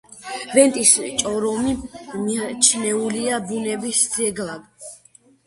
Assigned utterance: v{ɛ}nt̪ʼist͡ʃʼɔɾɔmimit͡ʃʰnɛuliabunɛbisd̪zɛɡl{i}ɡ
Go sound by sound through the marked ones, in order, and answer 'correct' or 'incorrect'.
correct, incorrect: a

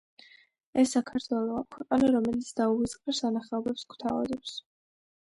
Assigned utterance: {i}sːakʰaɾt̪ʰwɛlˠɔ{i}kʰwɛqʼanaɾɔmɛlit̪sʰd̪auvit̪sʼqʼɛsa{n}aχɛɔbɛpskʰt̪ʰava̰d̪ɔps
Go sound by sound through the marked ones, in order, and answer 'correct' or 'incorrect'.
incorrect: ɛ, incorrect: a, correct

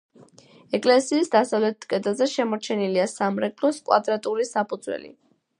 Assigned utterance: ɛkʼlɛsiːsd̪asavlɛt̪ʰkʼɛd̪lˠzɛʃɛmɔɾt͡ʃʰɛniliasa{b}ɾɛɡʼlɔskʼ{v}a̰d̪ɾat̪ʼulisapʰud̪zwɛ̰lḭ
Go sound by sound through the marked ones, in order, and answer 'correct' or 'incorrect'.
incorrect: m, incorrect: w

